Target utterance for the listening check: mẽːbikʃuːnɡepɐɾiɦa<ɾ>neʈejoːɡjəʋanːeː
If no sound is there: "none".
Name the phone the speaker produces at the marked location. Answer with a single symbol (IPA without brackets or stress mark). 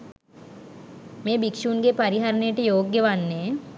ɾ